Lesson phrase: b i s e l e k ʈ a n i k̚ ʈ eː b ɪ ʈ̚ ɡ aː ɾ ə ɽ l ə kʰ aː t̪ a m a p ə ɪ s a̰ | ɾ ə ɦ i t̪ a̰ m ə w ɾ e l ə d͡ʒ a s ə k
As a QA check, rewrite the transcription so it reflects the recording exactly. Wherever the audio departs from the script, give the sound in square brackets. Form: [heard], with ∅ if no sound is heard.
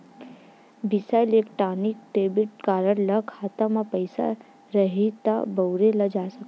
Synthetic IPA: b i s [a] l e k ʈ a n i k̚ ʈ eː b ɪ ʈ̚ [k] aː ɾ ə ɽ l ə kʰ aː t̪ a m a p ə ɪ s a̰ | ɾ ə ɦ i t̪ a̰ [b] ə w ɾ e l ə d͡ʒ a s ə k